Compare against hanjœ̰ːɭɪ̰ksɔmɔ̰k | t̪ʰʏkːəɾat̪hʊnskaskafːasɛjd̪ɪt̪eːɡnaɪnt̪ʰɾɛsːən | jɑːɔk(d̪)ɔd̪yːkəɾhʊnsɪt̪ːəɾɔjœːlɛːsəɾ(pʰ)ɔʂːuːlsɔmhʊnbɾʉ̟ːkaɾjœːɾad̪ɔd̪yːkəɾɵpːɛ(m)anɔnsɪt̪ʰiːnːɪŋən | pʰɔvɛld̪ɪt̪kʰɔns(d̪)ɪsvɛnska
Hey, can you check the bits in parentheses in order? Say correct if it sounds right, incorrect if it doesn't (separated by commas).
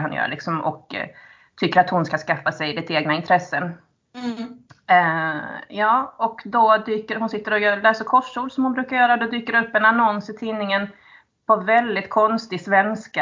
correct, incorrect, incorrect, incorrect